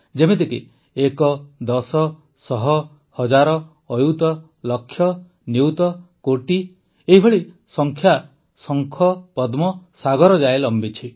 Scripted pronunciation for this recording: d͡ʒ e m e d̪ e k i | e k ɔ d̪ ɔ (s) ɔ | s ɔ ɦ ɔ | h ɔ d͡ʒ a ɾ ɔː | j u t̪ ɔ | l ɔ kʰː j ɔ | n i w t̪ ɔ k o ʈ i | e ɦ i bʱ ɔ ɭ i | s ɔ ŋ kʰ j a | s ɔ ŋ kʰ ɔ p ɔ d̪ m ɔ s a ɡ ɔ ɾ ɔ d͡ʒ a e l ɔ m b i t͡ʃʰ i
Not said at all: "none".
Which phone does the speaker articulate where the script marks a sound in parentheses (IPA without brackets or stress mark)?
s